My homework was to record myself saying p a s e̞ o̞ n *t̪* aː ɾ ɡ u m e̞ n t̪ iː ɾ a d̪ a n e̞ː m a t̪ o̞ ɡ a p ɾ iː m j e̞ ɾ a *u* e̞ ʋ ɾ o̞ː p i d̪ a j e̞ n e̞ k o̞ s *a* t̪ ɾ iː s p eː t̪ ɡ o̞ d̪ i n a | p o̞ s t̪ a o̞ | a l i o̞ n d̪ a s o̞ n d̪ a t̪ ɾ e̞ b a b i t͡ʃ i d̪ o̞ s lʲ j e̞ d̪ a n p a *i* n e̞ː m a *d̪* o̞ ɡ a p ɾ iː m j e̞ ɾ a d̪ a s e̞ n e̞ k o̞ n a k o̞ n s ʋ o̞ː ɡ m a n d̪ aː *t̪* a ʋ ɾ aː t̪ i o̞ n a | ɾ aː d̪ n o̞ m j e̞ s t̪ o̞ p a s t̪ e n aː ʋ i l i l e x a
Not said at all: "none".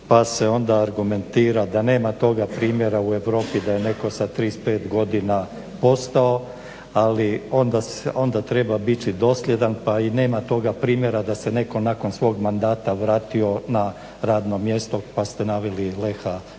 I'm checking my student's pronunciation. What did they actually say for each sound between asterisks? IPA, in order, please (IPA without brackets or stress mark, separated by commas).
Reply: d̪, u, a, i, t̪, t̪